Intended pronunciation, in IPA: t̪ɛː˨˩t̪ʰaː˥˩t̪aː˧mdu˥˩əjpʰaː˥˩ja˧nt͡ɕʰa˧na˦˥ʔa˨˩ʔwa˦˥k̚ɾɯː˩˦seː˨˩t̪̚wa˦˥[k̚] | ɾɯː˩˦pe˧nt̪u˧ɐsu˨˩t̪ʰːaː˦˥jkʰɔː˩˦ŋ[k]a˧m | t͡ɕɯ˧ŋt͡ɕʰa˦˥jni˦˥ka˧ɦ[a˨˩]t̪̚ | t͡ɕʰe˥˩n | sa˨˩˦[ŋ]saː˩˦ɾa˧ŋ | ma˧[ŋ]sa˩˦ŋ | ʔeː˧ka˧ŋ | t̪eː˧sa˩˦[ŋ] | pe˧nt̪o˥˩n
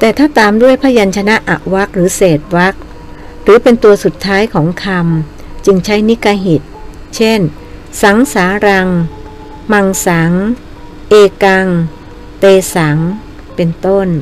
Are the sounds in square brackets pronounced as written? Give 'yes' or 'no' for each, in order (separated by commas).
yes, no, no, yes, yes, yes